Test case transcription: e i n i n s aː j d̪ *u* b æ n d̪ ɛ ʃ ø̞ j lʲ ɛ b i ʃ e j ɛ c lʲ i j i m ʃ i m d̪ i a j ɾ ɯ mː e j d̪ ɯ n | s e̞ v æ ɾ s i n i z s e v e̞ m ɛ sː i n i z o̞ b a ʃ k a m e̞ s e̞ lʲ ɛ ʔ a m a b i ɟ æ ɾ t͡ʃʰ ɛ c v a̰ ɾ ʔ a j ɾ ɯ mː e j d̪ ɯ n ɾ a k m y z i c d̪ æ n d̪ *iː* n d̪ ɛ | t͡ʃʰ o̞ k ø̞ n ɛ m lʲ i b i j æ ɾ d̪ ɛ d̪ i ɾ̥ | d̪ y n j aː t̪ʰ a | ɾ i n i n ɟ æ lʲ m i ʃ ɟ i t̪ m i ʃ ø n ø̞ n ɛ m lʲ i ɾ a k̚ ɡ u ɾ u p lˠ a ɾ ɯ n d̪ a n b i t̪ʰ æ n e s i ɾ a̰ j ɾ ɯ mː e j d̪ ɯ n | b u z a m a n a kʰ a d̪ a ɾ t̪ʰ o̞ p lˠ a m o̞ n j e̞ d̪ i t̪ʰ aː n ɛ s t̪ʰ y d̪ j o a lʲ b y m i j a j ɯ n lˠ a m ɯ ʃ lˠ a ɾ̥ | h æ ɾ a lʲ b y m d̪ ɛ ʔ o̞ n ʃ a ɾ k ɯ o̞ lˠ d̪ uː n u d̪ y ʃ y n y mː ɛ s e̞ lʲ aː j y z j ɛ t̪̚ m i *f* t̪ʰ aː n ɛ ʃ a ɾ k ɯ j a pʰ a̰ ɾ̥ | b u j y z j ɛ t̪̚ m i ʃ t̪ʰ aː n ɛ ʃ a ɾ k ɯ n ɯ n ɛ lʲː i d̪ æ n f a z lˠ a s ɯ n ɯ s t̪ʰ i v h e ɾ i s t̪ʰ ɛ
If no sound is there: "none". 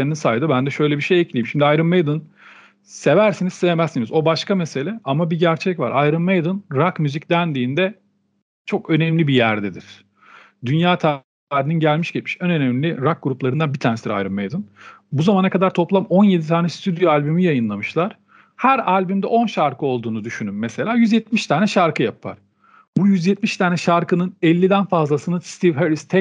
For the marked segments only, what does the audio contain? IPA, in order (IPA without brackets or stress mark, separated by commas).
ɯ, iː, ʃ